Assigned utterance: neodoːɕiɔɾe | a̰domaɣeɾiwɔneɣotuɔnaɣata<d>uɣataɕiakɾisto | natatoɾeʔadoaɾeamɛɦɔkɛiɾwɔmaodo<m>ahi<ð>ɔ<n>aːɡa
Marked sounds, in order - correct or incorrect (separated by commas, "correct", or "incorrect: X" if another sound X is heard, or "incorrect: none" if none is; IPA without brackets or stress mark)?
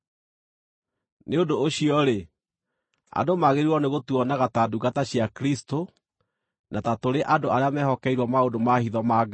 correct, correct, correct, incorrect: m